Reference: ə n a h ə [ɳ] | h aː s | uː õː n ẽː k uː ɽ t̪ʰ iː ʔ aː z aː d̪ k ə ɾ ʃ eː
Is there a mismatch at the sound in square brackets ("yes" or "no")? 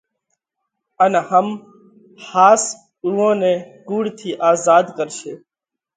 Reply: yes